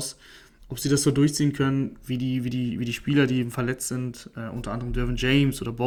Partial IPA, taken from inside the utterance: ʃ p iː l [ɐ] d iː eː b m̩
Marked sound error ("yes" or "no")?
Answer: no